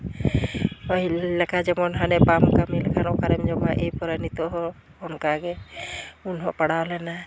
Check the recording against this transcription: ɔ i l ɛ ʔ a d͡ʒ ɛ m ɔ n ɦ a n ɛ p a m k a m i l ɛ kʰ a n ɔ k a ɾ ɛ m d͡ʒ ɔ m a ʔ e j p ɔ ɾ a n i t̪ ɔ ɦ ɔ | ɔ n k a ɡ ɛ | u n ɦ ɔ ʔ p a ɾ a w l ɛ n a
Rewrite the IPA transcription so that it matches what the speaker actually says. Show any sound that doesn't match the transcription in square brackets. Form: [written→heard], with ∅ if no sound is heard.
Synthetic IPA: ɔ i l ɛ [ʔ→k] a d͡ʒ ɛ m ɔ n ɦ a n ɛ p a m k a m i l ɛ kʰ a n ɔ k a ɾ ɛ m d͡ʒ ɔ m a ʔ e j p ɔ ɾ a n i t̪ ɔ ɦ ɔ | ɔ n k a ɡ ɛ | u n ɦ ɔ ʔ p a [ɾ→ɽ] a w l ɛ n a